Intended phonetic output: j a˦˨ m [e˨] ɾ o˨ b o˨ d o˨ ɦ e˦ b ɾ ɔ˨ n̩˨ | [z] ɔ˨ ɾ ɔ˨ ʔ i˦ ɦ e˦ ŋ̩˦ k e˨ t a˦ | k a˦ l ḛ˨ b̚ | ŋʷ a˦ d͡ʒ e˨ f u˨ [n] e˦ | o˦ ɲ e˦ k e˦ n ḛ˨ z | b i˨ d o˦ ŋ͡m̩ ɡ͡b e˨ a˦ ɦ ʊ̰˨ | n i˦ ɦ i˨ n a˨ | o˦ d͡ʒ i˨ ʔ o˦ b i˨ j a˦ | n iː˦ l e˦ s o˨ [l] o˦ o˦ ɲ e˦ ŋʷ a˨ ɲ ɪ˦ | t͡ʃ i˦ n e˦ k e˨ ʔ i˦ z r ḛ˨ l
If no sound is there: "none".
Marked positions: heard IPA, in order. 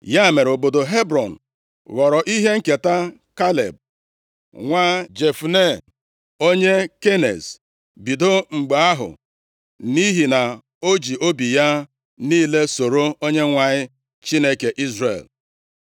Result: e˨, ɣ, n, ɾ

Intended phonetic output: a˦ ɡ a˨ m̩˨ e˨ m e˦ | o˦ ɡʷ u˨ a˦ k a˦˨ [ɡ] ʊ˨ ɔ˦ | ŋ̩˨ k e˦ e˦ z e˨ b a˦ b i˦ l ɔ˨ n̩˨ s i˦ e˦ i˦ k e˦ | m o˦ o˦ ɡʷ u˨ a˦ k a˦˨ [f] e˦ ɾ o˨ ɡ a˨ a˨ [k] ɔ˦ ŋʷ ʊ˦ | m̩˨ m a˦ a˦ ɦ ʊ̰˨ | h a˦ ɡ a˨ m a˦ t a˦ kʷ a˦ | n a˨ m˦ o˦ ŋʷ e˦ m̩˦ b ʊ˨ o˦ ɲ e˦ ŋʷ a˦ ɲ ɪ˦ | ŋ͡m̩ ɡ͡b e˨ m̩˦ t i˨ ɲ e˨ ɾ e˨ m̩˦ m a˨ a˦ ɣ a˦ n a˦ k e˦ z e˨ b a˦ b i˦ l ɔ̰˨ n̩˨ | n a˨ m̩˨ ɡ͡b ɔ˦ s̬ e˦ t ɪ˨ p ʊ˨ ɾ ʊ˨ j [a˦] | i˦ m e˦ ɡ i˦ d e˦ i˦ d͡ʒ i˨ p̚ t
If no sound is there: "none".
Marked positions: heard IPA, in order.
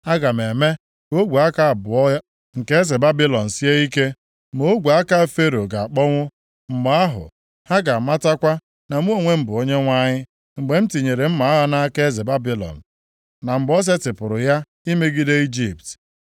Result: b, f, k͡p, a˦

